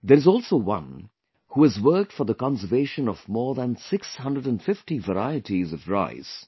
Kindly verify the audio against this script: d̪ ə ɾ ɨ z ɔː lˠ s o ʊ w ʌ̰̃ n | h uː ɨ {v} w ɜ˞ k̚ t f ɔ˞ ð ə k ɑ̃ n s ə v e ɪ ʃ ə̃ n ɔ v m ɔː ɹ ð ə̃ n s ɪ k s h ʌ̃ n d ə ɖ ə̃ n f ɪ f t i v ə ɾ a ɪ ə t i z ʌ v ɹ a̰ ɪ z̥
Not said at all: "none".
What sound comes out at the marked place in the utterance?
z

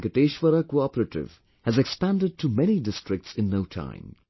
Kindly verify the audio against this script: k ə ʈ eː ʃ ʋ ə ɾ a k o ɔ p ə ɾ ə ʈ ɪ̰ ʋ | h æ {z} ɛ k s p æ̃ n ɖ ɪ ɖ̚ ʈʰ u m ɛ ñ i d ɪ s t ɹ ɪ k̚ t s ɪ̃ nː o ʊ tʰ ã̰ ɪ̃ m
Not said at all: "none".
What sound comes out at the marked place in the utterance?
z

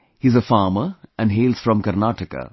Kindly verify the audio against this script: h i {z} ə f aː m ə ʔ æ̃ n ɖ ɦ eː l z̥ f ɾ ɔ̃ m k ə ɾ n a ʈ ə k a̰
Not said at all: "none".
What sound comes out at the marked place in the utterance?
z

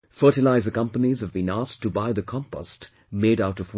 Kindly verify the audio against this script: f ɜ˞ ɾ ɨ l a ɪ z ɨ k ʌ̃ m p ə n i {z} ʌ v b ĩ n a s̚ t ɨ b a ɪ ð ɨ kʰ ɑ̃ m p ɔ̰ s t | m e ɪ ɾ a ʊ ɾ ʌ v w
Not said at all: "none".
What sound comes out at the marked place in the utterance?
z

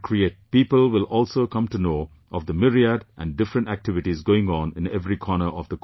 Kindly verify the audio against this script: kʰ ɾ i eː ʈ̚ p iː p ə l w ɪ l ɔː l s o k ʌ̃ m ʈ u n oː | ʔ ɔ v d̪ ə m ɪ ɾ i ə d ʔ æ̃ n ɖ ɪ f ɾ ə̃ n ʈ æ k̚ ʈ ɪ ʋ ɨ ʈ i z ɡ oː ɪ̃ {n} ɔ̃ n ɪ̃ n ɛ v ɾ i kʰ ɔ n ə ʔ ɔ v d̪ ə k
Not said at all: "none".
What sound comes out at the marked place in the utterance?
ŋ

